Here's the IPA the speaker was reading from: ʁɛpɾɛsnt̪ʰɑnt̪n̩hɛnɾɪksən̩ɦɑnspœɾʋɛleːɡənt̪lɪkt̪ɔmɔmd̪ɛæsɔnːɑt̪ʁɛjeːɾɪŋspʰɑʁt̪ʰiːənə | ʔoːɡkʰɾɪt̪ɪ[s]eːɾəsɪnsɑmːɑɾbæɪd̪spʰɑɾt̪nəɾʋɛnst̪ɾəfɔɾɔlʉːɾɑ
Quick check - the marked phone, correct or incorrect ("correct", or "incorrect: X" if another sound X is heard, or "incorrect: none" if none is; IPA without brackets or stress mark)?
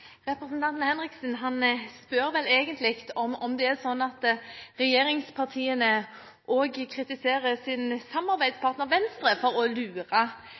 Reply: correct